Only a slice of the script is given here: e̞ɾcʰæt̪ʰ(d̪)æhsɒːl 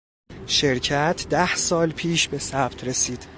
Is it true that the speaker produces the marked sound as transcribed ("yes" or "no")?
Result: yes